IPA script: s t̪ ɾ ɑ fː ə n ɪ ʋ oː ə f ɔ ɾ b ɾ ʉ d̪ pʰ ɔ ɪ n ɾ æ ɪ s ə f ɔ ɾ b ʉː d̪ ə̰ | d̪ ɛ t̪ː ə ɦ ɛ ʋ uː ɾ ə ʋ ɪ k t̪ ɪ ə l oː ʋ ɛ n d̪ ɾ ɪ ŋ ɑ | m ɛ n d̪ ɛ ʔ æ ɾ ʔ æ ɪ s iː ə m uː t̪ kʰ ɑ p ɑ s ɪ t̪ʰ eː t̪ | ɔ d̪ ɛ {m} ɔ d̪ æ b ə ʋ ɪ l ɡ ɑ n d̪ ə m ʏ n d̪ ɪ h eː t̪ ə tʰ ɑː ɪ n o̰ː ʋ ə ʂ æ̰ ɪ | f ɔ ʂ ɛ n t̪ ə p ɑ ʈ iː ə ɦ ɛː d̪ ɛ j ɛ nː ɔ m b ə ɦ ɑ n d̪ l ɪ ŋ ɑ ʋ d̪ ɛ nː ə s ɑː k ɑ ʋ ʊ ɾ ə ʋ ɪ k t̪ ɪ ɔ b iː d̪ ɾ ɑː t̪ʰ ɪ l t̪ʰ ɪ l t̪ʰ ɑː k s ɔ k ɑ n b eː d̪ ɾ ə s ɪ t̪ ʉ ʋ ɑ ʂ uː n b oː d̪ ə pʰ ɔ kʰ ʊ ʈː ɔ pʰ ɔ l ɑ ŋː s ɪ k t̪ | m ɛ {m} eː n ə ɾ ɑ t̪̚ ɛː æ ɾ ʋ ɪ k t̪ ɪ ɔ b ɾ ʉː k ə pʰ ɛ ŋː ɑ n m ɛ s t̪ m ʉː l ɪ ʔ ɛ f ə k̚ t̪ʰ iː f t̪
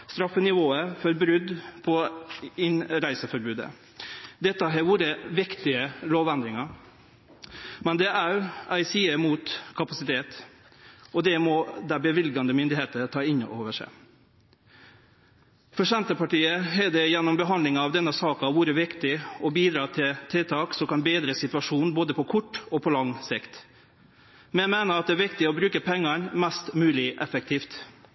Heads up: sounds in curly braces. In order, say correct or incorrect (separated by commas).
correct, correct